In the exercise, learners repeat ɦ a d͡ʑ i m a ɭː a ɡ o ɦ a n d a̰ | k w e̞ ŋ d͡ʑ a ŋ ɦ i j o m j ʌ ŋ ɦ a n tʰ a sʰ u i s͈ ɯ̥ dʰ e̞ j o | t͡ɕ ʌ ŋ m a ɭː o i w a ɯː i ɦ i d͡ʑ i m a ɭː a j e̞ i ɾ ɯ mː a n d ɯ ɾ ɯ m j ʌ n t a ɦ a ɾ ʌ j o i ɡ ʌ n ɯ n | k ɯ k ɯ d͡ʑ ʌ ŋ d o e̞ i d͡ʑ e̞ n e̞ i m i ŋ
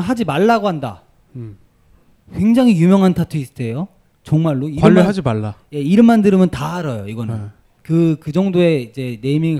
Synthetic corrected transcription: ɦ a d͡ʑ i m a ɭː a ɡ o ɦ a n d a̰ | k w e̞ ŋ d͡ʑ a ŋ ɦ i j u m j ʌ ŋ ɦ a n tʰ a tʰ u i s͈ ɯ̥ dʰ e̞ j o | t͡ɕ ʌ ŋ m a ɭː o i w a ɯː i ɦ a d͡ʑ i m a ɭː a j e̞ i ɾ ɯ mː a n d ɯ ɾ ɯ m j ʌ n t a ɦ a ɾ ʌ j o i ɡ ʌ n ɯ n | k ɯ k ɯ d͡ʑ ʌ ŋ d o e̞ i d͡ʑ e̞ n e̞ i m i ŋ